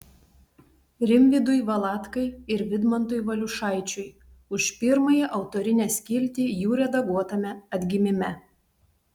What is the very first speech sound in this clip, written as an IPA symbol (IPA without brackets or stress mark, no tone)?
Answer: ɾʲ